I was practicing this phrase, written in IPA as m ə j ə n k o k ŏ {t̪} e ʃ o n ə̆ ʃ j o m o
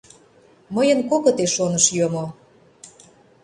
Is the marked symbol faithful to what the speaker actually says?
yes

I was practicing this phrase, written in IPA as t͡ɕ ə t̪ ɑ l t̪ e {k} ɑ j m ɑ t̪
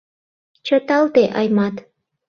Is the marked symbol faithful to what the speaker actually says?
no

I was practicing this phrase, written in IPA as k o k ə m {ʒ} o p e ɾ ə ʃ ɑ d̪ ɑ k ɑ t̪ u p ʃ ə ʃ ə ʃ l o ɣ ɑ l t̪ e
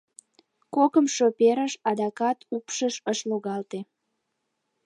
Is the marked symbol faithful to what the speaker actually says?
no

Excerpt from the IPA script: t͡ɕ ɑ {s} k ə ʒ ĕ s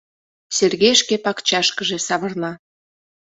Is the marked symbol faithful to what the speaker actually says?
no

